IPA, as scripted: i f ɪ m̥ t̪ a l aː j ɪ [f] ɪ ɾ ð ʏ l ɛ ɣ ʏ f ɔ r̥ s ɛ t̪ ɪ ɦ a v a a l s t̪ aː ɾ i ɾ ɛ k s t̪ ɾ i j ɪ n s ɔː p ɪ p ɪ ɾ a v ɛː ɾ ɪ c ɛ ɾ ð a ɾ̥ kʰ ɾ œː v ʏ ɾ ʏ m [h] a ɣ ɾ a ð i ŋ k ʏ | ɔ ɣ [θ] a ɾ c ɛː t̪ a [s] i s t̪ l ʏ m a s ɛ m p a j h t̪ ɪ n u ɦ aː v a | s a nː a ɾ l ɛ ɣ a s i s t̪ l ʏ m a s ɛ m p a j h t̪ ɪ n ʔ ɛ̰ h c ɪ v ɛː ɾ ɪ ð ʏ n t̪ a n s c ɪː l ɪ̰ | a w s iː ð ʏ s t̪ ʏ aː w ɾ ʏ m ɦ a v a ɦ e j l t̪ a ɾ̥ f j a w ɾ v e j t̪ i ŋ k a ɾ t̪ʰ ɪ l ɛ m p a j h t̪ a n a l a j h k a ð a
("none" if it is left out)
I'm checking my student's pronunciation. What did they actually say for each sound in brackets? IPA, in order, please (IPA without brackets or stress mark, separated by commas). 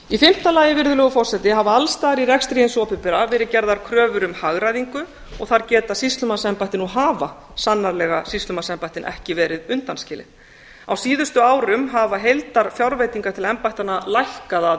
v, h, θ, s